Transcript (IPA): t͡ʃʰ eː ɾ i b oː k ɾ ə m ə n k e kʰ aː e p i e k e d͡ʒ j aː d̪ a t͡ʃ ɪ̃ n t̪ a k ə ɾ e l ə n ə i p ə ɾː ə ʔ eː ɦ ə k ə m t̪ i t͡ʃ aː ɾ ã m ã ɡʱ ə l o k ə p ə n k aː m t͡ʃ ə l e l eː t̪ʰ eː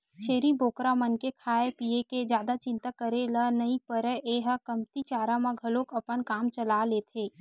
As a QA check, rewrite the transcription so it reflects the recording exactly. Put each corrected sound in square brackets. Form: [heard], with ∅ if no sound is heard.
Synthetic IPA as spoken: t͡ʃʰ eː ɾ i b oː k ɾ [a] m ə n k e kʰ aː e p i e k e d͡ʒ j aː d̪ a t͡ʃ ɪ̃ n t̪ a k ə ɾ e l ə n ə i p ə [ɾ] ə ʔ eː ɦ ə k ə m t̪ i t͡ʃ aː ɾ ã m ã ɡʱ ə l o k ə p ə n k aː m t͡ʃ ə l [a] l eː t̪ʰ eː

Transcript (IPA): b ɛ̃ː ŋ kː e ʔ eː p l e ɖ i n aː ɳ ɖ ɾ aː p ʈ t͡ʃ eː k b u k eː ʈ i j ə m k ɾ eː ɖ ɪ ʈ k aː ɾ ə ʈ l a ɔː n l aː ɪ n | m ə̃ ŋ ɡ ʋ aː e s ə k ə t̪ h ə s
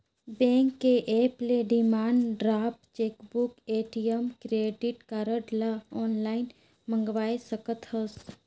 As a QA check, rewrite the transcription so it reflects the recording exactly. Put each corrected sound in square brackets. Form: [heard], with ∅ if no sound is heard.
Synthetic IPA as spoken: b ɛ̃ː ŋ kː e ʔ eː p l e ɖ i [m] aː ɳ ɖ ɾ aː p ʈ t͡ʃ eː k b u k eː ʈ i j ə m k ɾ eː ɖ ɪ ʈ k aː ɾ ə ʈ l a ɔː n l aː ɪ n | m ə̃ ŋ ɡ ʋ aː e s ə k ə t̪ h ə s

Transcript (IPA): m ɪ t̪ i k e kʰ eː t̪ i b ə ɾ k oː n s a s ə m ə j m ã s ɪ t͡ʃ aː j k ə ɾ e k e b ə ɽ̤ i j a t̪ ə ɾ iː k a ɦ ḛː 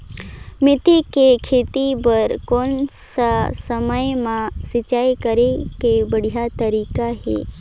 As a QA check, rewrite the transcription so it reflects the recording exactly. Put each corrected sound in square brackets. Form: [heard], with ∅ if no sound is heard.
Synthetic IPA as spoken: m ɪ t̪ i k e kʰ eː t̪ i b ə ɾ k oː n s a s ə m ə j m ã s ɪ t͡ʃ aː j k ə ɾ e k e b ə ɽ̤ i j a t̪ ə ɾ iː k a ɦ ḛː

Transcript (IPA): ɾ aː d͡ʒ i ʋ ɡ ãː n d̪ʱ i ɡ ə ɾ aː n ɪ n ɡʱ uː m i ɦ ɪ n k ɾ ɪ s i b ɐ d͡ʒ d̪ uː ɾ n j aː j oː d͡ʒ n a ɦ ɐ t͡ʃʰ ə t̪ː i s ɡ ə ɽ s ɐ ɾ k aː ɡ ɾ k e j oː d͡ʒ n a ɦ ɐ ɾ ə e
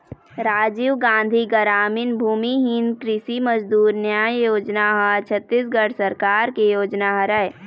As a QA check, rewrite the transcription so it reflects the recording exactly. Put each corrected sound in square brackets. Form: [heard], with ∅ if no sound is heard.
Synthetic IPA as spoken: ɾ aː d͡ʒ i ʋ ɡ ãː n d̪ʱ i ɡ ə ɾ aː [m] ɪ n [bʱ] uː m i ɦ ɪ n k ɾ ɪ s i [m] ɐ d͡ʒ d̪ uː ɾ n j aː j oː d͡ʒ n a ɦ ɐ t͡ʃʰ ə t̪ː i s ɡ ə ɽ s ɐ ɾ k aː [∅] ɾ k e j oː d͡ʒ n a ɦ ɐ ɾ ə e

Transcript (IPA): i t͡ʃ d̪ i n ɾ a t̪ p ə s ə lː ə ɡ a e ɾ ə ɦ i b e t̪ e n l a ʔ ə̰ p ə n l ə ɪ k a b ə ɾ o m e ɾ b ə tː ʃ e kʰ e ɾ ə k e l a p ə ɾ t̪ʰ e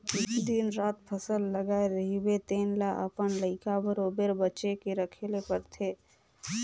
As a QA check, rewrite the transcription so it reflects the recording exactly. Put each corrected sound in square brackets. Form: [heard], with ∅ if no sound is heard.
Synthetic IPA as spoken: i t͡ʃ d̪ i n ɾ a t̪ [pʰ] ə s ə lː ə ɡ a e ɾ ə ɦ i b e t̪ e n l a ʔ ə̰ p ə n l ə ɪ k a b ə ɾ o [b] e ɾ b ə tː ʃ e [k] e ɾ ə [kʰ] e l [e] p ə ɾ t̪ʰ e

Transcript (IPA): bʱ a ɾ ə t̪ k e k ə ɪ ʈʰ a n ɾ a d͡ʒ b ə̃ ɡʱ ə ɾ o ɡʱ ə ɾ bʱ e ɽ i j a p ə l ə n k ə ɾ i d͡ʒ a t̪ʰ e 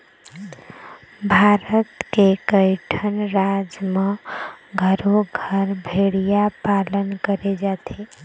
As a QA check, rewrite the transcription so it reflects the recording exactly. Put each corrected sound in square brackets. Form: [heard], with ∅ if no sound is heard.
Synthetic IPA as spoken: bʱ a ɾ ə t̪ k e k ə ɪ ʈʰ [ə] n ɾ a d͡ʒ [m] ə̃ ɡʱ ə ɾ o ɡʱ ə ɾ bʱ e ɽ i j a p [a] l ə n k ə ɾ [e] d͡ʒ a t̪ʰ e

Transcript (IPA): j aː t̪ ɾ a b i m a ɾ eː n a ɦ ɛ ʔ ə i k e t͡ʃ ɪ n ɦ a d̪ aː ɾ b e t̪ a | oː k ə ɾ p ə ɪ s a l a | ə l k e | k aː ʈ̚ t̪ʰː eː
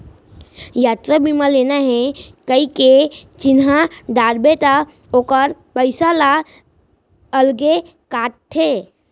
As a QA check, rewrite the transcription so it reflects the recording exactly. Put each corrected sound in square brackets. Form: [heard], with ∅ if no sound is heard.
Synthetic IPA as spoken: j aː t̪ ɾ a b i m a [l] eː n a ɦ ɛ [k] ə i k e t͡ʃ ɪ n ɦ a d̪ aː ɾ b e t̪ a | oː k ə ɾ p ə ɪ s a l a | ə l [ɡ] e | k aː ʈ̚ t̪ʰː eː

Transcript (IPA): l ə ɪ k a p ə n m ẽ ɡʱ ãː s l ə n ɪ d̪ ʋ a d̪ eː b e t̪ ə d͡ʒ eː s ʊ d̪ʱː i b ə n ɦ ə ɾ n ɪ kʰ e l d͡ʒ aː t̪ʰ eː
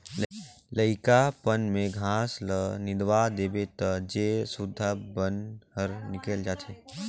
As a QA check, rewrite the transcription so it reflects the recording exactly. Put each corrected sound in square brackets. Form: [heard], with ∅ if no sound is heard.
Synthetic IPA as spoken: l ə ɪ k a p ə n m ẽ ɡʱ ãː s l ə n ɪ d̪ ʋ a d̪ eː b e t̪ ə d͡ʒ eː s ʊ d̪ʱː [a] b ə n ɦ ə ɾ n ɪ [k] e l d͡ʒ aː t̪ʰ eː

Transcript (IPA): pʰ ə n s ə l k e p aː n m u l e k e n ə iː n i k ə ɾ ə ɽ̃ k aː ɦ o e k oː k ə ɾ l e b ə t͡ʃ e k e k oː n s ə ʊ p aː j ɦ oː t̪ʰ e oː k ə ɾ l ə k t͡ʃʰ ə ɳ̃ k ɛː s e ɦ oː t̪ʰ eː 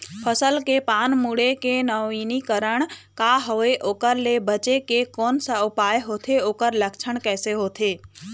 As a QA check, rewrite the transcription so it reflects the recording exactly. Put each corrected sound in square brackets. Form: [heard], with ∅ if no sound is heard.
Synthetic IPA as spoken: pʰ ə [∅] s ə l k e p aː n m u [ɽ] e k e n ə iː n i k ə ɾ ə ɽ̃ k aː ɦ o e [ʔ] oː k ə ɾ l e b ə t͡ʃ e k e k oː n s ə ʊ p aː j ɦ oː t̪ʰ e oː k ə ɾ l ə k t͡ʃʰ ə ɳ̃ k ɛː s e ɦ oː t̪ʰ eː

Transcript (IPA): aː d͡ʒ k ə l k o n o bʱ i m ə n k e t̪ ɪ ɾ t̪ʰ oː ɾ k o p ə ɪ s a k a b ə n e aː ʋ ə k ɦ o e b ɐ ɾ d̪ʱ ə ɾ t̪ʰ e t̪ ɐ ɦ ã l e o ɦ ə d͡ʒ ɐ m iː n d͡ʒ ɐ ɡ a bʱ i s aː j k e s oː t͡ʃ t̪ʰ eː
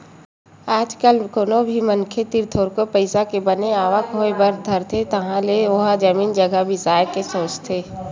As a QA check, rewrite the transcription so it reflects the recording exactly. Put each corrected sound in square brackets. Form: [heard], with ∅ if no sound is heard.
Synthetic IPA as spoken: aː d͡ʒ k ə l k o n o bʱ i m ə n [kʰ] e t̪ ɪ ɾ t̪ʰ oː ɾ k o p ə ɪ s a k [e] b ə n e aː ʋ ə k ɦ o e b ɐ ɾ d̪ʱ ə ɾ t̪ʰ e t̪ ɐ ɦ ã l e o ɦ [a] d͡ʒ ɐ m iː n d͡ʒ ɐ ɡ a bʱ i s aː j k e s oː t͡ʃ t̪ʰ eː

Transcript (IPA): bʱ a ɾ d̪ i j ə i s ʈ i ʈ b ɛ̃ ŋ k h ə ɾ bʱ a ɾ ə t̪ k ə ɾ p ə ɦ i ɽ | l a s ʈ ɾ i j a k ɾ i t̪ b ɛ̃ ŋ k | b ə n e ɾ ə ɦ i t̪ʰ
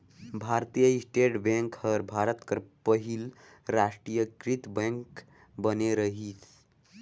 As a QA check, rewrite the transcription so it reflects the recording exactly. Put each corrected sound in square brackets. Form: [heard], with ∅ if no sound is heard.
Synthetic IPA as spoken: bʱ a ɾ [t̪] i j ə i s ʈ [e] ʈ b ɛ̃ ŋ k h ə ɾ bʱ a ɾ ə t̪ k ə ɾ p ə ɦ i [l] | [ɾ] a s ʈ ɾ i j [ə] k ɾ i t̪ b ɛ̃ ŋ k | b ə n e ɾ ə ɦ i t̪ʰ

